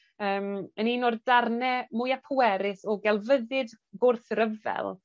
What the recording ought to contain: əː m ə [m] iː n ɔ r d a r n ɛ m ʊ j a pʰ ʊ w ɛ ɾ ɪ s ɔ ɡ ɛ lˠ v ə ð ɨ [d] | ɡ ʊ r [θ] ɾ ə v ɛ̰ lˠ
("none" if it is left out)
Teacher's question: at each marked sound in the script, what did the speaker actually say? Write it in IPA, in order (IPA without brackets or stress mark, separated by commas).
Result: n, d, θ